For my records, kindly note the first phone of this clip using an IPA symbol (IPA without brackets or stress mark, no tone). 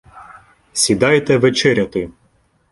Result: sʲ